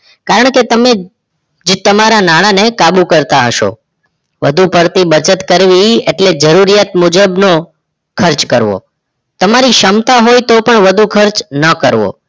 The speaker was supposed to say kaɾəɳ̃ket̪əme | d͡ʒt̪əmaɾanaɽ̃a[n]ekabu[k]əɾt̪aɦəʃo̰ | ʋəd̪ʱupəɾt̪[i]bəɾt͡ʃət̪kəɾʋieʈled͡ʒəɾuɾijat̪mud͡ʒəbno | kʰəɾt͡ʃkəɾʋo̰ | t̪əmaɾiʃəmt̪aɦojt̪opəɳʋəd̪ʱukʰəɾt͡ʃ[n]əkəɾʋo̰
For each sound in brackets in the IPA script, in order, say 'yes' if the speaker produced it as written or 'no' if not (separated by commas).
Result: yes, yes, yes, yes